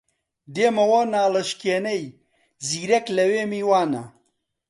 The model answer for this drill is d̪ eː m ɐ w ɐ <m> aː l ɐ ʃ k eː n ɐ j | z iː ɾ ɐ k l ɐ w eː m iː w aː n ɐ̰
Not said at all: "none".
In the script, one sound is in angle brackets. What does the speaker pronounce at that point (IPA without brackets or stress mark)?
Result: n